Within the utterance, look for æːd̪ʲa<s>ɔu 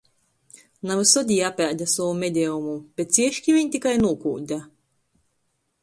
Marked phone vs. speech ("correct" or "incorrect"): correct